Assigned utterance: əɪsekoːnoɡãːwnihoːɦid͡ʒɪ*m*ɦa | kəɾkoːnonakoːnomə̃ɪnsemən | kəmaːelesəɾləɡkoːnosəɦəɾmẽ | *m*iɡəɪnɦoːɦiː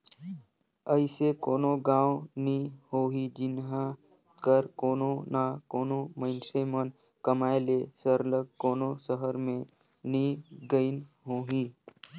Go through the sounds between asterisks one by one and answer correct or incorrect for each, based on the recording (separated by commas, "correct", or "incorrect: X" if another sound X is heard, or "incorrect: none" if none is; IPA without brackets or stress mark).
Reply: incorrect: n, incorrect: n